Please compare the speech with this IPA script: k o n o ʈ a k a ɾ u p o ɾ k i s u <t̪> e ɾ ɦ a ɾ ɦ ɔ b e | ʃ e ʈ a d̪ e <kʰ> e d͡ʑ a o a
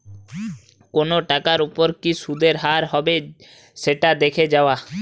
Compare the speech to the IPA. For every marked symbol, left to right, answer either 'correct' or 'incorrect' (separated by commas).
incorrect, correct